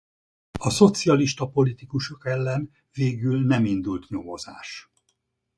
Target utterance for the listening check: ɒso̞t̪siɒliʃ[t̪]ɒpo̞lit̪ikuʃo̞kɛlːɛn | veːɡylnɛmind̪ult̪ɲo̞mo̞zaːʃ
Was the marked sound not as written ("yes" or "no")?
no